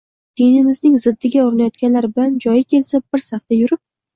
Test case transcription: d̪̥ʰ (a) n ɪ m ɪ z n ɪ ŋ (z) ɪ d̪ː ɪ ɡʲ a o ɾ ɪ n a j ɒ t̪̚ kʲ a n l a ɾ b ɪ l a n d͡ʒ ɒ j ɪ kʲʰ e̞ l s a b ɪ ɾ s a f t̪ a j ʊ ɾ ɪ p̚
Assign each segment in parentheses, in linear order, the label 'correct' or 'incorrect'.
incorrect: e, correct

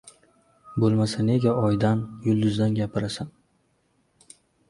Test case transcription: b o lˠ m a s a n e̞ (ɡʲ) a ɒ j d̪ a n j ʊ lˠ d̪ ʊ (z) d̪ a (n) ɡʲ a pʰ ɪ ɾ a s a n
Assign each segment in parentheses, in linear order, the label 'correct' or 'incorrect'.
correct, correct, correct

